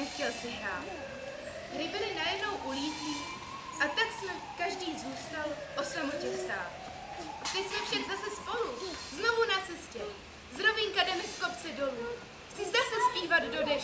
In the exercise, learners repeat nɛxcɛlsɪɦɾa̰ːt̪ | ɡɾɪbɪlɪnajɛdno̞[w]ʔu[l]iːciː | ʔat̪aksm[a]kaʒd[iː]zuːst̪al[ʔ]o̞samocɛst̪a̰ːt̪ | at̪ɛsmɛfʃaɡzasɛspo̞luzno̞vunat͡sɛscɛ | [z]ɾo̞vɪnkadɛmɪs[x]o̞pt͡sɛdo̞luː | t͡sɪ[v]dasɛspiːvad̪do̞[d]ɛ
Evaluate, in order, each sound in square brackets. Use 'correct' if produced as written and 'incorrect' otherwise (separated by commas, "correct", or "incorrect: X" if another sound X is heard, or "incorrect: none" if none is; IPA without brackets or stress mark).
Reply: correct, correct, incorrect: ɛ, correct, correct, correct, incorrect: k, incorrect: z, correct